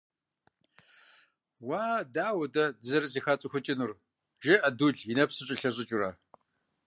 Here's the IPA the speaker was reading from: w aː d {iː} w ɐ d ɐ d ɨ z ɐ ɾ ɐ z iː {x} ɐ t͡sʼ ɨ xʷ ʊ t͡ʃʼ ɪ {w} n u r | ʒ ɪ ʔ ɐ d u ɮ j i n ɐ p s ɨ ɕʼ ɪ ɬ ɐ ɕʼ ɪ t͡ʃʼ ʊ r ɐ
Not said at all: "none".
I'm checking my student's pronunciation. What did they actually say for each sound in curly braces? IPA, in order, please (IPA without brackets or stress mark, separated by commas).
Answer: aː, x, none